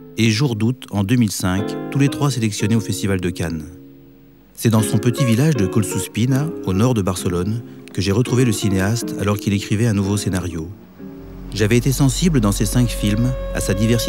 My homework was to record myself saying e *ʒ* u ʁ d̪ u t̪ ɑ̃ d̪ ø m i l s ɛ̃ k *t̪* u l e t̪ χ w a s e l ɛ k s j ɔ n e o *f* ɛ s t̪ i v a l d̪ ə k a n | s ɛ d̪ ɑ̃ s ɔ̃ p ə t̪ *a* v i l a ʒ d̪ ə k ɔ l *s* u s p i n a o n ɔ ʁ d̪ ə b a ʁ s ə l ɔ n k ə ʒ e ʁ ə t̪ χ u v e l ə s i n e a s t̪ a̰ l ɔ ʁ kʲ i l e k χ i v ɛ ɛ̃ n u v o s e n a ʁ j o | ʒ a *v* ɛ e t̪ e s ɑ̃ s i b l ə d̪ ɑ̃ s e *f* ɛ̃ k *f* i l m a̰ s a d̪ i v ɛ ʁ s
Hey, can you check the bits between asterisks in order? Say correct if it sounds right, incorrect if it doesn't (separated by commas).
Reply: correct, correct, correct, incorrect, correct, correct, incorrect, correct